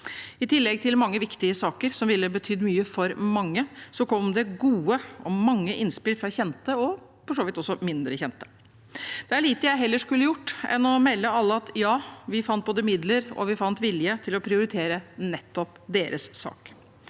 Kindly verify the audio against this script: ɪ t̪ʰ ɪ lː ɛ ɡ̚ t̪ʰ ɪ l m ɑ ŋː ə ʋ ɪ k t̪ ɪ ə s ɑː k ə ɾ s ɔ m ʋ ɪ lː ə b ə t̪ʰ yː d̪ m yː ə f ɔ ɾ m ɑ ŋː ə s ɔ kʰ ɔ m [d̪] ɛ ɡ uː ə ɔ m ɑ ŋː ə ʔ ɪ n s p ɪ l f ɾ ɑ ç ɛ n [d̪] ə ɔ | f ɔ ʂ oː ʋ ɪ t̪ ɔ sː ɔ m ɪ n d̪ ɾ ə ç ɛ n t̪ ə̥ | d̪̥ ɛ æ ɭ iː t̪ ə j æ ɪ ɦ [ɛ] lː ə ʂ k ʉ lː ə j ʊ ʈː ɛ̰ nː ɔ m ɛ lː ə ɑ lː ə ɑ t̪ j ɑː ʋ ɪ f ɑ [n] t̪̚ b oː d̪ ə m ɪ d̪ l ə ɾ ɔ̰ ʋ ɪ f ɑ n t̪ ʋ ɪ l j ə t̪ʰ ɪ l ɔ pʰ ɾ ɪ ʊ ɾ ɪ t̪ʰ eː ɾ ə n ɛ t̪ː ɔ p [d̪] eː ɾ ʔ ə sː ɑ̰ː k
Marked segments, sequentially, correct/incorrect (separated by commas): correct, incorrect, correct, correct, correct